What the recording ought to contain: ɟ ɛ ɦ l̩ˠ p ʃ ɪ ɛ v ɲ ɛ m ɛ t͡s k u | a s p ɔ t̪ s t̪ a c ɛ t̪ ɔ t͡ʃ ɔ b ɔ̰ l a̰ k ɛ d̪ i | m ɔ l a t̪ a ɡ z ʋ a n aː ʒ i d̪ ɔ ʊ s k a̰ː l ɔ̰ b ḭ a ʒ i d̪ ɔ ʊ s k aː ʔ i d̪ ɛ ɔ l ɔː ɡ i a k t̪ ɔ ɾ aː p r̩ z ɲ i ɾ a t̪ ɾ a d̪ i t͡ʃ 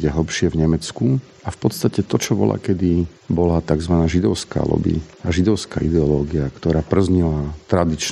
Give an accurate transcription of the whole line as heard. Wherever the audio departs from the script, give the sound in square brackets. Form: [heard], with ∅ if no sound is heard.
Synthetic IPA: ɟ ɛ ɦ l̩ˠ p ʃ ɪ ɛ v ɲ ɛ m ɛ t͡s k u | a [f] p ɔ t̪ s t̪ a c ɛ t̪ ɔ t͡ʃ ɔ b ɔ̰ l a̰ k ɛ d̪ i | [b] ɔ l a t̪ a ɡ z ʋ a n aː ʒ i d̪ ɔ ʊ s k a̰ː l ɔ̰ b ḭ a ʒ i d̪ ɔ ʊ s k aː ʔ i d̪ ɛ ɔ l ɔː ɡ i a k t̪ ɔ ɾ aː p r̩ z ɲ i [l] a t̪ ɾ a d̪ i t͡ʃ